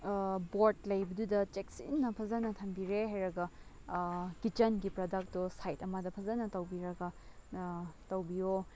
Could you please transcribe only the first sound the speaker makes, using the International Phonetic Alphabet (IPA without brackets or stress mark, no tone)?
b